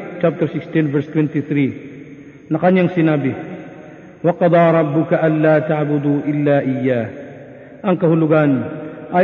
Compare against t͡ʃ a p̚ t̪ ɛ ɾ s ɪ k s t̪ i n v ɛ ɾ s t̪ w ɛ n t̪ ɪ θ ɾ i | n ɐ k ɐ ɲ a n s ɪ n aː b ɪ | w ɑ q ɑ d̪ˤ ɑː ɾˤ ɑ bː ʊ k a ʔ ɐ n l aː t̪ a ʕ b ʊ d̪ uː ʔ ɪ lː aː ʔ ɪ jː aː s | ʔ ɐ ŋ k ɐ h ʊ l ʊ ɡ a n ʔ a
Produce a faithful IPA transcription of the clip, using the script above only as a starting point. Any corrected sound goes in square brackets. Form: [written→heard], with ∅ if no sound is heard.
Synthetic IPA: t͡ʃ a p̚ t̪ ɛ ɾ s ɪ k s t̪ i n v ɛ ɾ s t̪ w ɛ n t̪ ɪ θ ɾ i | n ɐ k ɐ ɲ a [n→ŋ] s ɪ n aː b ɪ | w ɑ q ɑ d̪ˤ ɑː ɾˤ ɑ bː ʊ k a ʔ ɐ n l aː t̪ a ʕ b ʊ d̪ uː ʔ ɪ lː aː ʔ ɪ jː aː [s→h] | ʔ ɐ ŋ k ɐ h ʊ l ʊ ɡ a n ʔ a